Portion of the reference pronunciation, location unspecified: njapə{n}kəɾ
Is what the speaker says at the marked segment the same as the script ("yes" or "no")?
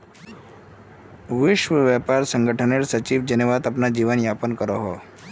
yes